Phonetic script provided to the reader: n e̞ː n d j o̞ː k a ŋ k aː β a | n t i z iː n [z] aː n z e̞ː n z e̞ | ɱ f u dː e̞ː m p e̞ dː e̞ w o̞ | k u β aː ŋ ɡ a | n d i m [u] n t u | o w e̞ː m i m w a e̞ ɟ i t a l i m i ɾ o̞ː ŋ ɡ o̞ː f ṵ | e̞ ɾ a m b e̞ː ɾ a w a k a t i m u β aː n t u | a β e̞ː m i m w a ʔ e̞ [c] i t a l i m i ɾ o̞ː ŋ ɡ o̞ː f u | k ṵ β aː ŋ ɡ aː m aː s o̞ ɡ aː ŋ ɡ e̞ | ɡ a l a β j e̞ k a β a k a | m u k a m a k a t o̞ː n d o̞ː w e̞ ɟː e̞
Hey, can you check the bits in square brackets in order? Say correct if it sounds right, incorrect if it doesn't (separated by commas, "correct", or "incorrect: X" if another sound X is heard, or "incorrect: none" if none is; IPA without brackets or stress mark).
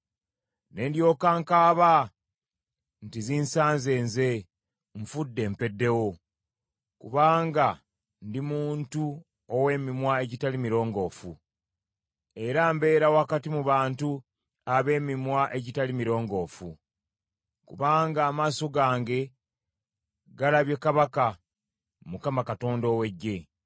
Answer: incorrect: s, incorrect: uː, incorrect: ɟ